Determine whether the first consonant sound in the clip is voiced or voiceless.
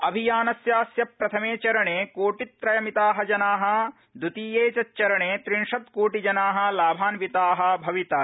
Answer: voiced